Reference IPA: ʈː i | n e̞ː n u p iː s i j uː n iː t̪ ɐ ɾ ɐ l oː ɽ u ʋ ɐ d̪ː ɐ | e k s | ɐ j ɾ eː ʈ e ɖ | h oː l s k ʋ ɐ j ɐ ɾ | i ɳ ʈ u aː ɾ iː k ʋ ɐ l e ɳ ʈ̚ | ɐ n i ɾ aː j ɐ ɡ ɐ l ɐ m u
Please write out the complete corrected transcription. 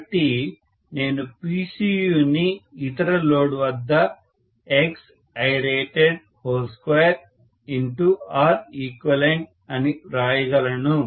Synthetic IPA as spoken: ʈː i | n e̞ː n u p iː s i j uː n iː t̪ ɐ ɾ ɐ l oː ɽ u ʋ ɐ d̪ː ɐ | e k s | ɐ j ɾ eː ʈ e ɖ | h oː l s k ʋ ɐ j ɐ ɾ | i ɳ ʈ u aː ɾ iː k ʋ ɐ l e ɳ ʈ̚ | ɐ n i ɾ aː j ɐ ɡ ɐ l ɐ n u